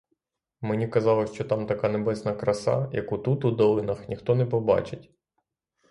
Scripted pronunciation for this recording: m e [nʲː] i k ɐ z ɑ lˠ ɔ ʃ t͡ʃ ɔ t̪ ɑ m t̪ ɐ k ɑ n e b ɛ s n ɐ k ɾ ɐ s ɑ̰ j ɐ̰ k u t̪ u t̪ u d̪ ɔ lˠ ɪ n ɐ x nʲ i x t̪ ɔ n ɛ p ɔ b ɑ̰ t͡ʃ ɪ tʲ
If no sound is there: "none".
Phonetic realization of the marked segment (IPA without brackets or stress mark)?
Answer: nʲ